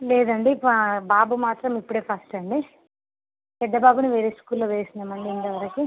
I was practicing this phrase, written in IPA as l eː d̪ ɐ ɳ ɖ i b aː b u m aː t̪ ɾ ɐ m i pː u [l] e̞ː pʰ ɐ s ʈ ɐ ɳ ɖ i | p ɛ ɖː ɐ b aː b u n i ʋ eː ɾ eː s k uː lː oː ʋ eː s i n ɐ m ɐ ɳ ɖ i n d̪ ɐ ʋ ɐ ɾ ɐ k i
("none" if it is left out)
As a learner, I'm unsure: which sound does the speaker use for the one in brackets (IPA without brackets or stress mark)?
ɽ